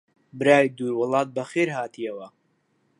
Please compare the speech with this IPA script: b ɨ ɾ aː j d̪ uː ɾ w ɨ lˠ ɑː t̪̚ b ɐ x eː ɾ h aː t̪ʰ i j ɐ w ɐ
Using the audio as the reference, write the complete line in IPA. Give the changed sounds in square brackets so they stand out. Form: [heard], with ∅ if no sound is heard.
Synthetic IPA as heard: b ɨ ɾ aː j d̪ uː ɾ w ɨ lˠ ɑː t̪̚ b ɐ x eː ɾ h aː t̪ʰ i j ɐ w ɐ